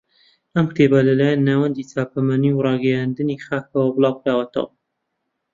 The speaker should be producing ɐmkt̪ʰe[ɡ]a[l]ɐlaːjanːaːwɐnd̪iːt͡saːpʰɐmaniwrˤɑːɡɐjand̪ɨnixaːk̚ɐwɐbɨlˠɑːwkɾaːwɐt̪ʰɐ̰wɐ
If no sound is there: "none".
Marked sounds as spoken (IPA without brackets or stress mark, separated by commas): b, l